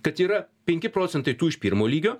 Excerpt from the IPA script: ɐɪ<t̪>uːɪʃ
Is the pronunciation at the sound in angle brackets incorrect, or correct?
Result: correct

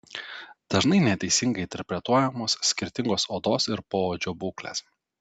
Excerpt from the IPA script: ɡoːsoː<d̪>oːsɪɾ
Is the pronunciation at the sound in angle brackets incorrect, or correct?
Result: correct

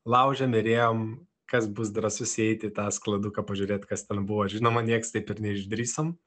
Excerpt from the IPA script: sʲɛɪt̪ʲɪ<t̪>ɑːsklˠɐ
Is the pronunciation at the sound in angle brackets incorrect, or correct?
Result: correct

